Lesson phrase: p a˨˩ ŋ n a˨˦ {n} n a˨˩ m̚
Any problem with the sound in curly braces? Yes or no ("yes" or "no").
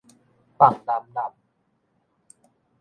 yes